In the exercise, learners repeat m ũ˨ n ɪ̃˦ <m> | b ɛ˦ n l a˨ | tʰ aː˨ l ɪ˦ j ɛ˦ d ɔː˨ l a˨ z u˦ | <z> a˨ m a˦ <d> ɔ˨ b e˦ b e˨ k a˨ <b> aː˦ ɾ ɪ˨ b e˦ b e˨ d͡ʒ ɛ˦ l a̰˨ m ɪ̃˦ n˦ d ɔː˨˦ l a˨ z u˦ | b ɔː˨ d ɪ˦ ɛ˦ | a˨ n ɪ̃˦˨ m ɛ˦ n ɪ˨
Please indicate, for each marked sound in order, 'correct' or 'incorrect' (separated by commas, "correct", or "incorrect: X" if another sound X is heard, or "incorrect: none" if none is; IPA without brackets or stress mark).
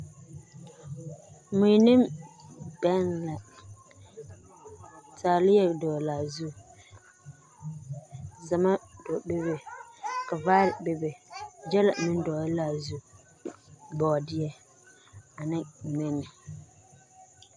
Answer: correct, correct, correct, incorrect: v